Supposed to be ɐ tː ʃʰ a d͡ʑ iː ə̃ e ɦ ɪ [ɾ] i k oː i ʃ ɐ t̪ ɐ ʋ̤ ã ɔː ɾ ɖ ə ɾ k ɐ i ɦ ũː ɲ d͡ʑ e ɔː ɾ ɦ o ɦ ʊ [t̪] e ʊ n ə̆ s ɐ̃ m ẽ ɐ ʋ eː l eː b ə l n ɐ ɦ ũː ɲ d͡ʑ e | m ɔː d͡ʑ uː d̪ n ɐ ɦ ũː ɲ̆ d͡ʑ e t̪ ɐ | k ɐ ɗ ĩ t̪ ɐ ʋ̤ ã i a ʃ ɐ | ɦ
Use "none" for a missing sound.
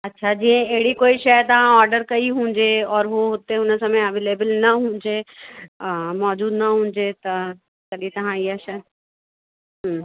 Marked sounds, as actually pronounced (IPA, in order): ɽ, t̪

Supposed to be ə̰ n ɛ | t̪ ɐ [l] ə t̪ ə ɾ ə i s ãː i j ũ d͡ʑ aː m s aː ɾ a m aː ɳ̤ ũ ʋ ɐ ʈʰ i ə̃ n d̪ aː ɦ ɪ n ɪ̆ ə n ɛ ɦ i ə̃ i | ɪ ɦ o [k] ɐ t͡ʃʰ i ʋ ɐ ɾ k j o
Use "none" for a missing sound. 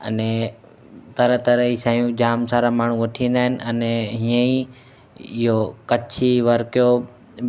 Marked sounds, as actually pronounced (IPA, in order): ɾ, k

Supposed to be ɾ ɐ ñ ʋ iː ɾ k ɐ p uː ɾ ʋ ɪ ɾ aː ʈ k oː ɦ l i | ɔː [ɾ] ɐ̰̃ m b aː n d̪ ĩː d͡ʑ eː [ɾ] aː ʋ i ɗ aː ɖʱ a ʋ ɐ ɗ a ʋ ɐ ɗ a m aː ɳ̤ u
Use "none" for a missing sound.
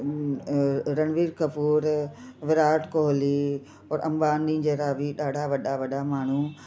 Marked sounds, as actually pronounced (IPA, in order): ɾ, ɾ

